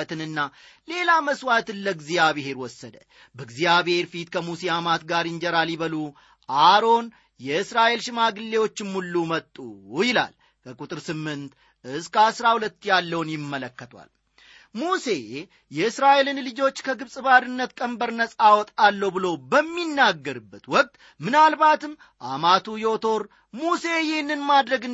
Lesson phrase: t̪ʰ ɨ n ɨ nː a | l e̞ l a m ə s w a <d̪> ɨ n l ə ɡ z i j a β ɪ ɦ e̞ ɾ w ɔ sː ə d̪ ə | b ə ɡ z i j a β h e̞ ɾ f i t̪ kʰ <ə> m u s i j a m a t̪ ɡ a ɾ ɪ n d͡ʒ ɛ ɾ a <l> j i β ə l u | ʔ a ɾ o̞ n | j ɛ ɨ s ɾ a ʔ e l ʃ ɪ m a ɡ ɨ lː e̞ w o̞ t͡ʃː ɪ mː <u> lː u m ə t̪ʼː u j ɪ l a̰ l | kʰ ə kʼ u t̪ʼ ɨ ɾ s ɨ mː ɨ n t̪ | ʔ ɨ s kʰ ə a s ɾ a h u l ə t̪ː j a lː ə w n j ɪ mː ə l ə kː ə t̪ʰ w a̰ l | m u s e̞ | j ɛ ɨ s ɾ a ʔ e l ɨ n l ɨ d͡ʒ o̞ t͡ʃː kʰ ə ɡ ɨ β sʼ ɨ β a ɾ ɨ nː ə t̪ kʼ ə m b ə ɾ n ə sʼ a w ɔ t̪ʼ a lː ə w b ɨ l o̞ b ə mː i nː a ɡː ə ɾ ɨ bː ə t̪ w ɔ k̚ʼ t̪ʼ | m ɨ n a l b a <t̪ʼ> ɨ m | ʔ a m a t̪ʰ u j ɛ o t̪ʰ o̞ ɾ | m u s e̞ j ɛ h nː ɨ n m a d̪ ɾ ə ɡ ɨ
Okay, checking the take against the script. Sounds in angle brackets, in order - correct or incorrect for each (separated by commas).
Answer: incorrect, correct, correct, correct, incorrect